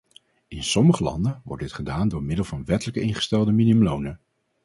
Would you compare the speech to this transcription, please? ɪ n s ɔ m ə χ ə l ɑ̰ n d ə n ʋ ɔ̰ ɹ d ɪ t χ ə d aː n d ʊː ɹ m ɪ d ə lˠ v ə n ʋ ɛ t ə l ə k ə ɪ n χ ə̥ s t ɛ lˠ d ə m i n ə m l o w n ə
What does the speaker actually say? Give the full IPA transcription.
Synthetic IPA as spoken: ɪ n s ɔ m ə χ ə l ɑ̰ n d ə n ʋ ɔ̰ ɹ d ɪ t χ ə d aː n d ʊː ɹ m ɪ d ə lˠ v ɑ n ʋ ɛ t ə l ə k ə ɪ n χ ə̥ s t ɛ lˠ d ə m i n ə m l o w n ə